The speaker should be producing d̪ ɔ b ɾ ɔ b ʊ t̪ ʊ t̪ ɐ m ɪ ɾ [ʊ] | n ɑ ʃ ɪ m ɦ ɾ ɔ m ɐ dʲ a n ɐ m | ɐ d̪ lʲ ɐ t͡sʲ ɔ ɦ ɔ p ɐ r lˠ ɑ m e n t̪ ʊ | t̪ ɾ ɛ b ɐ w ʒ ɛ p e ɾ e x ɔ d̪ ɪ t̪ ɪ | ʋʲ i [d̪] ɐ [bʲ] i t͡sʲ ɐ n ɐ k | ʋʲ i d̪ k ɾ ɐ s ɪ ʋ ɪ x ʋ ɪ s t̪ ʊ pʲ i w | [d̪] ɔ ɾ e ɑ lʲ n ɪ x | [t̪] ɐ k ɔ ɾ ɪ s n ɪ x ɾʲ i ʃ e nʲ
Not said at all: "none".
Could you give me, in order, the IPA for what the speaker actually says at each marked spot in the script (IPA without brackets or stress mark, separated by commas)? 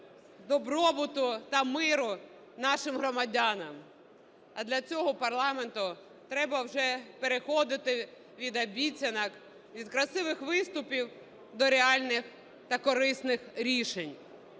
ʊ, d̪, bʲ, d̪, t̪